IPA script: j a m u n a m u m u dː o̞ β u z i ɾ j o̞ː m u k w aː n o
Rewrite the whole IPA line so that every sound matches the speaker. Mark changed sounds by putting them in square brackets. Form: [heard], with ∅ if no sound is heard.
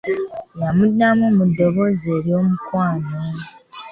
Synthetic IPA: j a m u [d] a m u m u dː o̞ β [o] z [e] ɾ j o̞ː m u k w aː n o